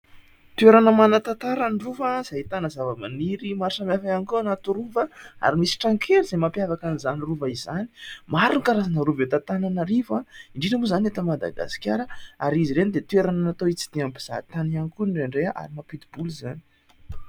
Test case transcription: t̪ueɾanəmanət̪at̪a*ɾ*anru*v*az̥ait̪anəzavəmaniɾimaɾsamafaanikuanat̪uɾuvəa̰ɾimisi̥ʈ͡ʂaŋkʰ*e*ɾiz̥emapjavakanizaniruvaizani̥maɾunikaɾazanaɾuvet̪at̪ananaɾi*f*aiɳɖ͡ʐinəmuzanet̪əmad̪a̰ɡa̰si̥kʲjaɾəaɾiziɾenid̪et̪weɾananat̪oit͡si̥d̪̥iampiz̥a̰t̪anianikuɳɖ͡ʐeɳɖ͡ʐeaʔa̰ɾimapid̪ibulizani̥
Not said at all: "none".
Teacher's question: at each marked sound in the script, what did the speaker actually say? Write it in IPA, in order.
ɾ, v, e, v

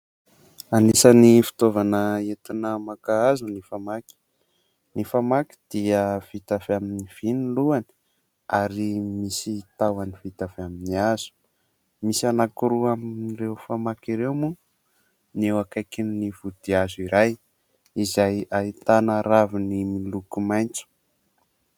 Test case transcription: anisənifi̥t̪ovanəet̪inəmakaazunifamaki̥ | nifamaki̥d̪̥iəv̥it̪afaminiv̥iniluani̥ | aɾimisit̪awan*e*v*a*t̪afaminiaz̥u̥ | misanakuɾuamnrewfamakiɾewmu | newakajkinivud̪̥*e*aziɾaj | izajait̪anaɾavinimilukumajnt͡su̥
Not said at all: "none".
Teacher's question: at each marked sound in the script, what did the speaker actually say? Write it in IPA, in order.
i, i, i

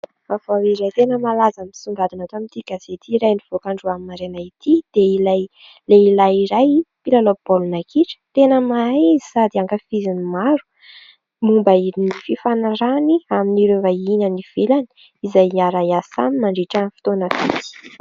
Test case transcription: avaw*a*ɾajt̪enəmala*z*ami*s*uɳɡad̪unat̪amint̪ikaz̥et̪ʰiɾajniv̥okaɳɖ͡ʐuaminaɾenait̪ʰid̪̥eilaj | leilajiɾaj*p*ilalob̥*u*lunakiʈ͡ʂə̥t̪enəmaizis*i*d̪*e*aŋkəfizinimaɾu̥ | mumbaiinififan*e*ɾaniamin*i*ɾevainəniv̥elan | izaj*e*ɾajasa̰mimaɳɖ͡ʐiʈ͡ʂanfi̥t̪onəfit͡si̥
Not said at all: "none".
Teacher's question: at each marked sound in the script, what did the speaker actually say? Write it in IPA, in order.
i, z, s, p, o, a, i, a, i, a

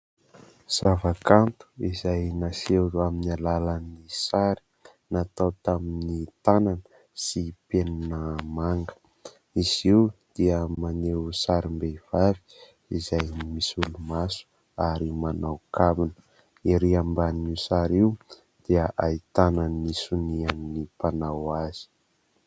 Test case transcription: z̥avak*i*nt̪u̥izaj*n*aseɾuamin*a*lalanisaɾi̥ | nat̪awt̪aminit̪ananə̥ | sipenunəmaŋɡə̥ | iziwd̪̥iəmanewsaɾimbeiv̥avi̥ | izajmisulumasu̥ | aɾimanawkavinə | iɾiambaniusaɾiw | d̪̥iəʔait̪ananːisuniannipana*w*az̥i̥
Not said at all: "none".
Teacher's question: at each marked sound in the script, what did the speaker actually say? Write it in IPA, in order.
a, n, a, w

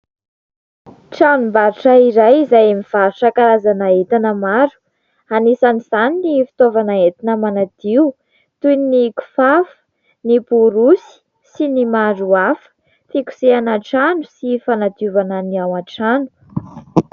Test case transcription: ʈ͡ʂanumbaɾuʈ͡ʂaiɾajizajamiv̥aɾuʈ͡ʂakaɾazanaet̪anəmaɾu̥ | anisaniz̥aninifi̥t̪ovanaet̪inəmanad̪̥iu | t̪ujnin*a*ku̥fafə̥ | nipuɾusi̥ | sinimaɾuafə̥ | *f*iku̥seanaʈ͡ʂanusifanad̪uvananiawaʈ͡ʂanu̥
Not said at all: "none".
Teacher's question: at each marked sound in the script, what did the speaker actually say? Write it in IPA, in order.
i, f

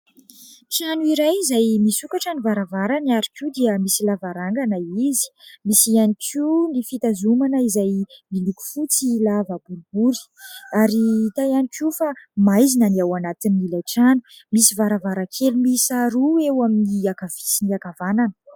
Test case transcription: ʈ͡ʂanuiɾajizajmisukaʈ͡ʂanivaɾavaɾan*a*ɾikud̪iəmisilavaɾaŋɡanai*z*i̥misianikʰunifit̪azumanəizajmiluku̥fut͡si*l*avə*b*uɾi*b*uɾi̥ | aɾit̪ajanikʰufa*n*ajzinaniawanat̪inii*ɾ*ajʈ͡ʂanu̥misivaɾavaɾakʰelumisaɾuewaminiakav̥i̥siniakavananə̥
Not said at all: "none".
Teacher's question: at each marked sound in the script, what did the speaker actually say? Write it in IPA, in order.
a, z, l, b, b, m, l

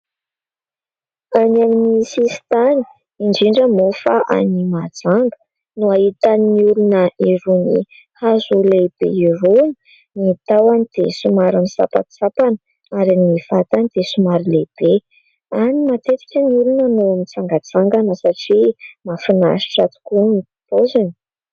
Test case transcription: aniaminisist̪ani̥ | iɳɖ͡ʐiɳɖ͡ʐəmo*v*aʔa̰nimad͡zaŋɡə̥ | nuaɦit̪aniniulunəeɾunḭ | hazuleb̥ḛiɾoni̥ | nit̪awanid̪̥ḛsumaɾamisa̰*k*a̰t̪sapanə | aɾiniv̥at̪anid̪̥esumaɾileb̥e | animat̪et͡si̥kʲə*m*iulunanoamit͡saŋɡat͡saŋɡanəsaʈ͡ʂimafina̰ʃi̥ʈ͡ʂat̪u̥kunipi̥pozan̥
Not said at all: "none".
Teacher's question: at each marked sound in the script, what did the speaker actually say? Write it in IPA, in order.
f, p, n

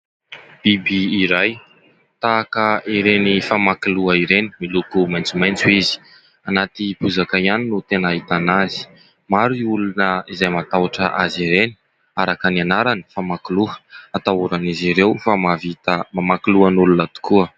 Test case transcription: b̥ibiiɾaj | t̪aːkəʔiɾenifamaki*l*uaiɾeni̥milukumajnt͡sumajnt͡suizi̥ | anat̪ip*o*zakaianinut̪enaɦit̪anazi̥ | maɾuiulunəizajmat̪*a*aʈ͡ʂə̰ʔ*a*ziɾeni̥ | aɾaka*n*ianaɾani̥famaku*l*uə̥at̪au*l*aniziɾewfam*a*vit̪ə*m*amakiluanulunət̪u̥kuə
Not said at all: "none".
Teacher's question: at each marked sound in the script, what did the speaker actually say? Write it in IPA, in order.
l, u, a, a, n, l, ɾ, a, m

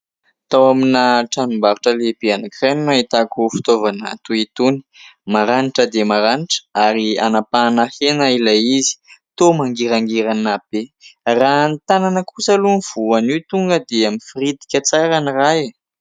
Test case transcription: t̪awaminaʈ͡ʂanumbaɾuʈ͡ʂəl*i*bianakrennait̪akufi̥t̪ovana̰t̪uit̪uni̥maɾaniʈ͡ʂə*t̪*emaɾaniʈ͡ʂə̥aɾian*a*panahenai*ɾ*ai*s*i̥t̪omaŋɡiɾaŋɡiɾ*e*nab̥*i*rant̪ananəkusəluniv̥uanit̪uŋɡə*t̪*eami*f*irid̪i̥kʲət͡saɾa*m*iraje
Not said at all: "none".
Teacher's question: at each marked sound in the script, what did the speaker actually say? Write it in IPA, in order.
e, d̪, a, l, z, a, e, d̪, f, n

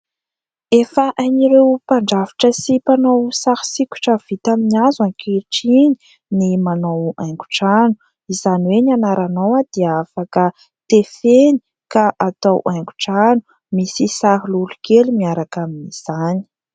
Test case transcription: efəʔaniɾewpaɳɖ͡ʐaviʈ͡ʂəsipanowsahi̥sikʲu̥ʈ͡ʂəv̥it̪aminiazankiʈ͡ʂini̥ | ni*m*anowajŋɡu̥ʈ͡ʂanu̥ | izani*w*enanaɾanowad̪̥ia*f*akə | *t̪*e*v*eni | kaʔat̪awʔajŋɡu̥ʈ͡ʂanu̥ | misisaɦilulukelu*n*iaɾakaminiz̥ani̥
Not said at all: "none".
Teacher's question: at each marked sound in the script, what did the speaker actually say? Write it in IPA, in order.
m, w, f, t̪, f, m

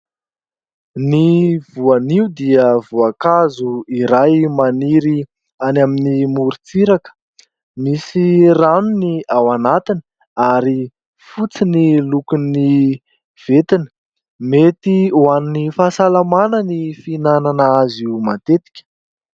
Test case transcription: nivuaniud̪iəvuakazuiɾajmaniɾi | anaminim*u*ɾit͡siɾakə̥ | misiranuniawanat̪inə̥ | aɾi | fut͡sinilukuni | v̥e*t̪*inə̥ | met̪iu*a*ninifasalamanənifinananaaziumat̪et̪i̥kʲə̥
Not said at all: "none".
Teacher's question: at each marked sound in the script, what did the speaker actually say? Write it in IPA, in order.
u, t̪, a

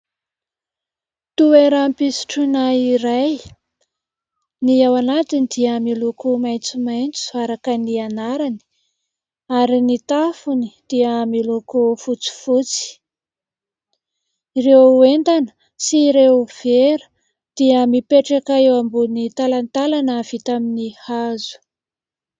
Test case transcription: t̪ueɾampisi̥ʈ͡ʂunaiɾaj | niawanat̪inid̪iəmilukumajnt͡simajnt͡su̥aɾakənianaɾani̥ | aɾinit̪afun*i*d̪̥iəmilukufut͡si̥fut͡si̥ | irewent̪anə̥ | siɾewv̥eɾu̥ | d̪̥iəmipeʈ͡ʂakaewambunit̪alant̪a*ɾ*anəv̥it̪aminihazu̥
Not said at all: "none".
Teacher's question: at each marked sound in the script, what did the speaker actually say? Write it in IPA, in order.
i, l

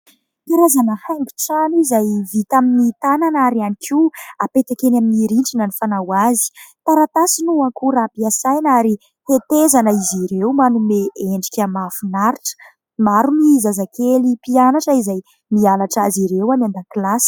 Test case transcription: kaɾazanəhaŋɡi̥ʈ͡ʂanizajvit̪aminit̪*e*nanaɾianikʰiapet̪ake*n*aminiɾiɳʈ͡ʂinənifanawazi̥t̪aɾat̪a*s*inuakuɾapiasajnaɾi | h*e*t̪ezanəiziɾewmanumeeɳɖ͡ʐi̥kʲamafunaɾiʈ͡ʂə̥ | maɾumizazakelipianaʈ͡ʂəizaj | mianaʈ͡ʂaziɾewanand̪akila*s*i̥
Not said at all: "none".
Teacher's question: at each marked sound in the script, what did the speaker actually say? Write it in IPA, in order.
a, n, s, e, s

